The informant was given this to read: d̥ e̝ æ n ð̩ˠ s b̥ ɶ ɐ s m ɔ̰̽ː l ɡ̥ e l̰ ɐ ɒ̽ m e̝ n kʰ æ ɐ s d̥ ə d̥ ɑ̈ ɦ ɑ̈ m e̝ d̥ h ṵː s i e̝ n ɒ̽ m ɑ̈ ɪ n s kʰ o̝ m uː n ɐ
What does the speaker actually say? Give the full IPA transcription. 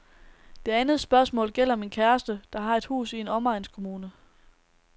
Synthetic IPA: d̥ e̝ æ n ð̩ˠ s b̥ ɶ ɐ s m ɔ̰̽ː l ɡ̥ e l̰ ɐ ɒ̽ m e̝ n kʰ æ ɐ s d̥ ə d̥ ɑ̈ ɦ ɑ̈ e̝ d̥ h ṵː s i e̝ n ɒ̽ m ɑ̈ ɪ n s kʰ o̝ m uː n ə

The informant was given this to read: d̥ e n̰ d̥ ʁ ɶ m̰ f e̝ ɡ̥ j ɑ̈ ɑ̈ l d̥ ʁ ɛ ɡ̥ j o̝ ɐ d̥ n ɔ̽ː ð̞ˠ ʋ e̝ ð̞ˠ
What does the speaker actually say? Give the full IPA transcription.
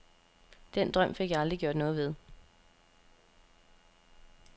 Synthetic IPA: d̥ e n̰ d̥ ʁ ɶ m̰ f e̝ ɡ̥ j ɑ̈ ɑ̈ l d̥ ʁ i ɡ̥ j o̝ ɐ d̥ n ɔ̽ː ð̞ˠ ʋ e̝ ð̞ˠ

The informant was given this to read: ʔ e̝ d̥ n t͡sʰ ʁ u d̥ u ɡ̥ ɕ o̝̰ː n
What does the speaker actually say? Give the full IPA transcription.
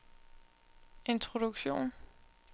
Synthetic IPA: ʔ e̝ n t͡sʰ ʁ o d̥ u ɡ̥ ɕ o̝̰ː n

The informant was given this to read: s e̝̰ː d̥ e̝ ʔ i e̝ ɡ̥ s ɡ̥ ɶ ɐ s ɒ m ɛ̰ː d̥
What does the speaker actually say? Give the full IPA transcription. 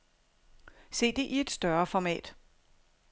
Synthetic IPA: s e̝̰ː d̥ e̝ ʔ i e̝ d̥ s d̥ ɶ ɐ f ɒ m ɛ̰ː d̥

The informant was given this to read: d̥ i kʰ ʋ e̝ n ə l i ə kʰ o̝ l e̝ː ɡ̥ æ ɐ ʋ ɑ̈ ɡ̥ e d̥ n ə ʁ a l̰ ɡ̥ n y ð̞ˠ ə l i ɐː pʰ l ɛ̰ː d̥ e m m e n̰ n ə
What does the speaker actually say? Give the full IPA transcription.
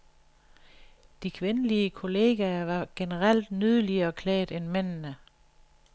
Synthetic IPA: d̥ i kʰ ʋ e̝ n ə l i ə kʰ o̝ l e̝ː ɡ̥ æ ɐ ʋ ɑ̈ ɡ̥ e n ə ʁ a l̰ d̥ n y ð̞ˠ ə l i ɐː kʰ l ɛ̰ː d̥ e n m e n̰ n ə

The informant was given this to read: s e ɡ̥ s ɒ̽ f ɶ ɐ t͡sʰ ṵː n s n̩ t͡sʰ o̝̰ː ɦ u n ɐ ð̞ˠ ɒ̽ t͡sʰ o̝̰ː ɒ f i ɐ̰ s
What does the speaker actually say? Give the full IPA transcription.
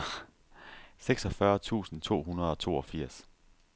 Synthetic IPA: s e ɡ̥ s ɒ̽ f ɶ ɐ t͡sʰ ṵː s n̩ t͡sʰ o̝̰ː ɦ u n ɐ ð̞ˠ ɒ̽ t͡sʰ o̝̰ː ɒ f i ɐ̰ s

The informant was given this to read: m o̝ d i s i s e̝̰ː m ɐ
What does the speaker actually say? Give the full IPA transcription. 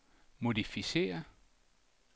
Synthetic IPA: m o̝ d i f i s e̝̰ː ɐ

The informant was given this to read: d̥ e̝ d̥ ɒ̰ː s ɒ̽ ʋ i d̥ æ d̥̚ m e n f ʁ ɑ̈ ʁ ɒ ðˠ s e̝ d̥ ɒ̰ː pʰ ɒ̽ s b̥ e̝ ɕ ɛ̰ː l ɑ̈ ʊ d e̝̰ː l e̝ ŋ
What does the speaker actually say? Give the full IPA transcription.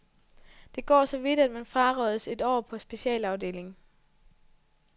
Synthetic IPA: d̥ e̝ ɡ̥ ɒ̰ː s ɒ̽ ʋ i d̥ æ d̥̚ m æ n f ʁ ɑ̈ ʁ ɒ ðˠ s e̝ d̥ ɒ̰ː pʰ ɒ̽ s b̥ e̝ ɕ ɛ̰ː l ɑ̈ ʊ d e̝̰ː l e̝ ŋ

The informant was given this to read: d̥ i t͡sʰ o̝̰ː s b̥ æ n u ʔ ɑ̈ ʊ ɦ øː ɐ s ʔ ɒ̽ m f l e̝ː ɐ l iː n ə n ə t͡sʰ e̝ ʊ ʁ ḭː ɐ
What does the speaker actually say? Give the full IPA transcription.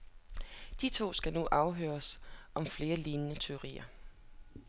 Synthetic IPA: d̥ i t͡sʰ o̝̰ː s ɡ̥ æ n u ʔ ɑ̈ ʊ ɦ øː ɐ s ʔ ɒ̽ m f l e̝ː ɐ l iː n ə n ə t͡sʰ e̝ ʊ ʁ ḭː ɐ

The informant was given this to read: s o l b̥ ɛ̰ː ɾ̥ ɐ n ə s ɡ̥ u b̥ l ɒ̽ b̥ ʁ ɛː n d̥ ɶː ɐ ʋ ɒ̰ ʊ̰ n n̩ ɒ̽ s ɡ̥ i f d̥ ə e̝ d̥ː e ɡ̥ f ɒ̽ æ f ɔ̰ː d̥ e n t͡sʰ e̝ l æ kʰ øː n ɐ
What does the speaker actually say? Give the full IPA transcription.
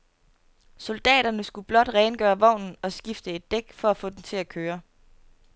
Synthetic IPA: s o l d̥ ɛ̰ː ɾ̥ ɐ n ə s ɡ̥ u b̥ l ɒ̽ d̥ ʁ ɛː n ɡ̥ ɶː ɐ ʋ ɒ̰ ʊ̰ n n̩ ɒ̽ s ɡ̥ i f d̥ ə e̝ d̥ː e ɡ̥ f ɒ̽ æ f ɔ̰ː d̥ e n t͡sʰ e̝ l æ kʰ øː ɐ

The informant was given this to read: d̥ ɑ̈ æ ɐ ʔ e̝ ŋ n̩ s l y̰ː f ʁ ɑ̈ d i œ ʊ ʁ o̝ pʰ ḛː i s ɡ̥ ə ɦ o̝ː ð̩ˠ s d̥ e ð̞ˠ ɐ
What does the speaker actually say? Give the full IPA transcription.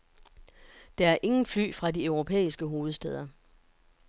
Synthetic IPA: d̥ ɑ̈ æ ɐ ʔ e̝ ŋ n̩ f l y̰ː f ʁ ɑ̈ d i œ ʊ ʁ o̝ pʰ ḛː i s ɡ̥ ə ɦ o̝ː ð̩ˠ s d̥ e ð̞ˠ ɐ

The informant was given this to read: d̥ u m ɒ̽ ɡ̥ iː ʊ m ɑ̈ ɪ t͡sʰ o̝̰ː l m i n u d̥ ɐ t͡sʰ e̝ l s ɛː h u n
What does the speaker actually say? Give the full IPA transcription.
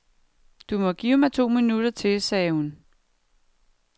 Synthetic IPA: d̥ u m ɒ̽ ɡ̥ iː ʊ m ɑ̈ ɪ t͡sʰ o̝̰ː m i n u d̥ ɐ t͡sʰ e̝ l s ɛː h u n

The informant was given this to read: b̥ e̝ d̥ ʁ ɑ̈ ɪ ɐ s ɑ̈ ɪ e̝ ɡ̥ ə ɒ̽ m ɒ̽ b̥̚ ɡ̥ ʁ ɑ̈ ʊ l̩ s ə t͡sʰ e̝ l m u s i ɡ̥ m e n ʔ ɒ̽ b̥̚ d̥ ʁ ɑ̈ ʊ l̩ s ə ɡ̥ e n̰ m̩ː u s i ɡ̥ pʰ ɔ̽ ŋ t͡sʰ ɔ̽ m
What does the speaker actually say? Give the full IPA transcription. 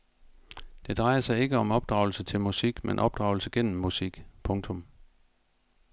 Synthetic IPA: d̥ e̝ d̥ ʁ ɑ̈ ɪ ɐ s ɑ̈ ɪ e̝ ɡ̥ ə ɒ̽ m ɒ̽ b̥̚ d̥ ʁ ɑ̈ ʊ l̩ s ə t͡sʰ e̝ l m u s i ɡ̥ m e n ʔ ɒ̽ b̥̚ d̥ ʁ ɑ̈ ʊ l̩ s ə ɡ̥ e n̰ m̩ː u s i ɡ̥ pʰ ɔ̽ ŋ t͡sʰ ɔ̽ m

